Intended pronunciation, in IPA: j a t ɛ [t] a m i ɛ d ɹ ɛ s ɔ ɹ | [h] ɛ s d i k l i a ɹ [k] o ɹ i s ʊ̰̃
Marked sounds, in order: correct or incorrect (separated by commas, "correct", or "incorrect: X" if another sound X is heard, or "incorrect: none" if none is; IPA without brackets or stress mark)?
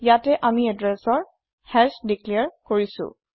incorrect: ʔ, correct, correct